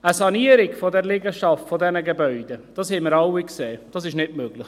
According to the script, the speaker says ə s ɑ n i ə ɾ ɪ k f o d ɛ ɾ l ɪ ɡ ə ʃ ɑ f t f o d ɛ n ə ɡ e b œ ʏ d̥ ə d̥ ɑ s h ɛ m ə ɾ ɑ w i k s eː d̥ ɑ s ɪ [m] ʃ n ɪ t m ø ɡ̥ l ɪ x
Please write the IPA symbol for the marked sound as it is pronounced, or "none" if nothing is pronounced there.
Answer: none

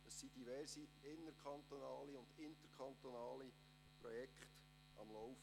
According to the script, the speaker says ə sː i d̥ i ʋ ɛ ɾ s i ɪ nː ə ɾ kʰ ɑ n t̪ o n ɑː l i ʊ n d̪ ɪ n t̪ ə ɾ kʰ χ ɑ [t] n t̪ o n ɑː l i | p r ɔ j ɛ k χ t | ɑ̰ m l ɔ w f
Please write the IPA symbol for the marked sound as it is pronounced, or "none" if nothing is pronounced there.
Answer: none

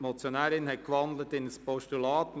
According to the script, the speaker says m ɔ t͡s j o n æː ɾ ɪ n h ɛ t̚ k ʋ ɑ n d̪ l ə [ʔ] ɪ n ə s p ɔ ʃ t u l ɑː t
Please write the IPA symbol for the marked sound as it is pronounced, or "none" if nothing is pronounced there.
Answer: t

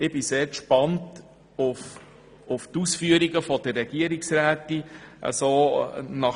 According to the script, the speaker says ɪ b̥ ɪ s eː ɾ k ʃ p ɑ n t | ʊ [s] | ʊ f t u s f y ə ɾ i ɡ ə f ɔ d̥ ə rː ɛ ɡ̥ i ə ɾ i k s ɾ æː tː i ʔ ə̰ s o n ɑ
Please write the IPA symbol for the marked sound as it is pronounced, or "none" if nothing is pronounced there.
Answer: f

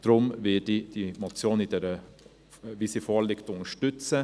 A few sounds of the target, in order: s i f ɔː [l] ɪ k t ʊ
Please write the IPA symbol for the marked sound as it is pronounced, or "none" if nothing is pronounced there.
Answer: l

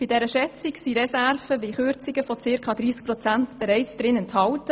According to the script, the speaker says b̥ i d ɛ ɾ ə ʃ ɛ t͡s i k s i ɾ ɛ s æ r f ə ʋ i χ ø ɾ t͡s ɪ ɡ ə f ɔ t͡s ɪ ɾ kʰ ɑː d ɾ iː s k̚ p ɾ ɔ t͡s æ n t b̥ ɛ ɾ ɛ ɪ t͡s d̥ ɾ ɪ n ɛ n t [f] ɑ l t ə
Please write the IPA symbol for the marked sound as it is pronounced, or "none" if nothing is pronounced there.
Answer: h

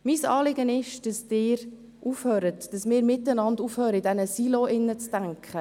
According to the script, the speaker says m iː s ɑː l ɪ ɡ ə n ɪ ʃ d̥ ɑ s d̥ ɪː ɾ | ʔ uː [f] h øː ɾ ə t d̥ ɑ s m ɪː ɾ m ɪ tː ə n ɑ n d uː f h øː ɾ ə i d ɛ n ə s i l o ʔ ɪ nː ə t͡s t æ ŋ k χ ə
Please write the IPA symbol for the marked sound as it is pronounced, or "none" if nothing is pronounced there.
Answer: f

